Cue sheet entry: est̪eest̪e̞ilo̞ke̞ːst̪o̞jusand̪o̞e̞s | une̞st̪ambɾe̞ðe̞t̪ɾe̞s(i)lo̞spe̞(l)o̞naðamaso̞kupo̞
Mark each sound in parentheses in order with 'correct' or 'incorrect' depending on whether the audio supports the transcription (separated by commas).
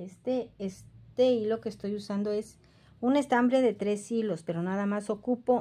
correct, incorrect